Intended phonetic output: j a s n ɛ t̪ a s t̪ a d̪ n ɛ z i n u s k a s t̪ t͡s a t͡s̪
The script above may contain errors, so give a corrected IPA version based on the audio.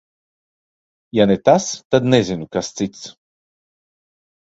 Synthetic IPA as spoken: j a n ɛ t̪ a s t̪ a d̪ n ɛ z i n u k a s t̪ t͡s i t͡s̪